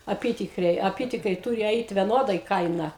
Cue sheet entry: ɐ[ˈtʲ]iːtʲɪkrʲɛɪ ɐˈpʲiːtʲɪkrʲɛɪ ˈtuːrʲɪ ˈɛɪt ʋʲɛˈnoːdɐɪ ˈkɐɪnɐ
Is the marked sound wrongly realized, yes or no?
yes